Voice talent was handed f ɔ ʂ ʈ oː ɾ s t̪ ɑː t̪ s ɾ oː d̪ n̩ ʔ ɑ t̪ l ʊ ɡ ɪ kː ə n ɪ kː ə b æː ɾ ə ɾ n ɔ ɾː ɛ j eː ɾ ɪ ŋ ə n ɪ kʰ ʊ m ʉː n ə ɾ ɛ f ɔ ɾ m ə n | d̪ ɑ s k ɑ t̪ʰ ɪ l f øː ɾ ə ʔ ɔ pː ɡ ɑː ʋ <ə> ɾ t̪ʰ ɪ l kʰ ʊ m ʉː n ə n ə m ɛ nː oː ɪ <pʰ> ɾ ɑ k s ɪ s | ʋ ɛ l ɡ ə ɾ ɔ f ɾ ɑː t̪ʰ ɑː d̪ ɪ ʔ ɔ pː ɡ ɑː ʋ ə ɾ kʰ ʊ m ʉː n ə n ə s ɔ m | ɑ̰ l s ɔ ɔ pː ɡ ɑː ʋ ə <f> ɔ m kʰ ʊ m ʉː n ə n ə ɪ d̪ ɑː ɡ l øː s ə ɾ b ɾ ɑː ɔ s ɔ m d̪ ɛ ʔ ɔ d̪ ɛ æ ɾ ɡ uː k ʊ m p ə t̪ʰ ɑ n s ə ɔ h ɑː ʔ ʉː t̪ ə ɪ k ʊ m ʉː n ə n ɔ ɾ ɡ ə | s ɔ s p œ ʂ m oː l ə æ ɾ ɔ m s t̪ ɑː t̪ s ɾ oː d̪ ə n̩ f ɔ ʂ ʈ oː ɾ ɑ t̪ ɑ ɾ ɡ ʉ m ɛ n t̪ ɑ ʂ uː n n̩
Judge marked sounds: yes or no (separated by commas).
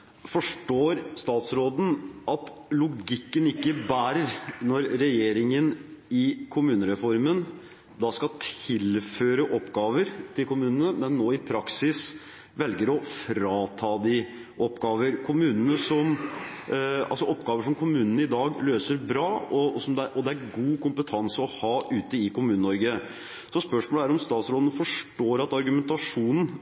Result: yes, yes, no